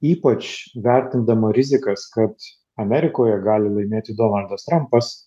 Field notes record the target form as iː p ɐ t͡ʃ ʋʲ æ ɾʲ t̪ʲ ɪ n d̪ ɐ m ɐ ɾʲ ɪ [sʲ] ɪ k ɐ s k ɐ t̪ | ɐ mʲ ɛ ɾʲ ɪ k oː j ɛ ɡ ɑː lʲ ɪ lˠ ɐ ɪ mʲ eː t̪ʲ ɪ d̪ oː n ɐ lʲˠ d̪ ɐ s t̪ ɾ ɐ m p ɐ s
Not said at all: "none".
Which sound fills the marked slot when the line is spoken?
zʲ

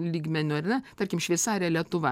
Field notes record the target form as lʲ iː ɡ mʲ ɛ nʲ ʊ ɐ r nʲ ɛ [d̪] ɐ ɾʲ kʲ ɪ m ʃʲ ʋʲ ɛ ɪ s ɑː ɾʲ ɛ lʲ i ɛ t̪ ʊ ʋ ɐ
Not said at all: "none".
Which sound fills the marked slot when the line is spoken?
t̪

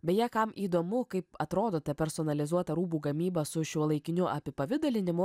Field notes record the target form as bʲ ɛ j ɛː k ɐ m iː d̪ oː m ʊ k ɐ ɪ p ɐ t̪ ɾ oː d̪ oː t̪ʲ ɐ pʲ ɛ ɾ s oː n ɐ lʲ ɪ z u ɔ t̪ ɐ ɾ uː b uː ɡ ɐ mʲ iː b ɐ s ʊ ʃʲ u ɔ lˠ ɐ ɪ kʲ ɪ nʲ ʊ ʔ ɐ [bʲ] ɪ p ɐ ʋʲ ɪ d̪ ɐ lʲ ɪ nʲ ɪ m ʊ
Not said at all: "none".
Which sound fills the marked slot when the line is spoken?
pʲ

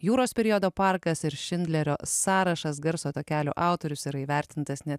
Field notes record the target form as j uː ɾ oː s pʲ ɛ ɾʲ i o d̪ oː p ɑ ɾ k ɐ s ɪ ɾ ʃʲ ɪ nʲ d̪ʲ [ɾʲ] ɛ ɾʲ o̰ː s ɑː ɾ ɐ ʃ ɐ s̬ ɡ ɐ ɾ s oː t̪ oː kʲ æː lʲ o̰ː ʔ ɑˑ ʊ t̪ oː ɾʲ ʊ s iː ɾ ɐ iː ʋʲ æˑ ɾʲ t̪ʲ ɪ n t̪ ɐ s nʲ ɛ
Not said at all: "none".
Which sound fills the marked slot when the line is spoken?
lʲ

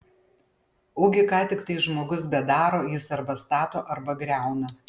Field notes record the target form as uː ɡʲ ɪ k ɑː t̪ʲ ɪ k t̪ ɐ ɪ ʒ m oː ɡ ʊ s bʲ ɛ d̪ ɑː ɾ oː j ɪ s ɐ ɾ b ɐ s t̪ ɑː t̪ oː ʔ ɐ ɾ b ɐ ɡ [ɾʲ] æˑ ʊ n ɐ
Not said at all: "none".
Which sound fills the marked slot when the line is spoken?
ɾʲ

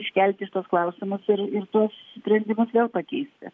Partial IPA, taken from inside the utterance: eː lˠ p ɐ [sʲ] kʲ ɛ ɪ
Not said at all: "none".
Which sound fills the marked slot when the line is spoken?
none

